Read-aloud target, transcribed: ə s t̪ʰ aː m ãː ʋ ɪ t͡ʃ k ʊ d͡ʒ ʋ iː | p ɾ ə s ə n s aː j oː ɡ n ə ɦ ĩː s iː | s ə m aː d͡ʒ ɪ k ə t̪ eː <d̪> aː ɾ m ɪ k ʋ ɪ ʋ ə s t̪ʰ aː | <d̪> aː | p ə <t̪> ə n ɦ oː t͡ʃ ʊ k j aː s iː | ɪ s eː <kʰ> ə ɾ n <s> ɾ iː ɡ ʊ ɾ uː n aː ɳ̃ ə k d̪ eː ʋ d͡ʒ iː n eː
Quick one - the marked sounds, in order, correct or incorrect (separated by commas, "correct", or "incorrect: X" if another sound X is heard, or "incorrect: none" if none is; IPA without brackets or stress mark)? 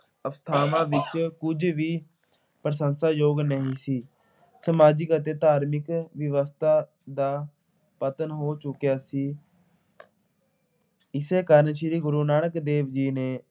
incorrect: t̪, correct, correct, incorrect: k, incorrect: ʃ